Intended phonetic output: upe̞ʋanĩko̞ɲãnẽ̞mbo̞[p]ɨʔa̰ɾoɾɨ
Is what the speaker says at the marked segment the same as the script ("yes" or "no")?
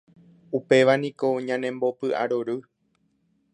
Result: yes